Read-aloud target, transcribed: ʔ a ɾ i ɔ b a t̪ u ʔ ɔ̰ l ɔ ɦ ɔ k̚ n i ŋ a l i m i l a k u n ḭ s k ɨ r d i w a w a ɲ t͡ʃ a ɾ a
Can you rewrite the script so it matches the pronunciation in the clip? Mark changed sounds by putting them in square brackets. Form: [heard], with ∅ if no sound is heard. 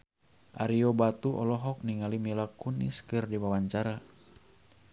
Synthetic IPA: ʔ a ɾ i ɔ b a t̪ u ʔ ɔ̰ l ɔ ɦ ɔ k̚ n i ŋ a l i m i l a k u n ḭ s k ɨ r d i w a w a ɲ t͡ʃ a ɾ a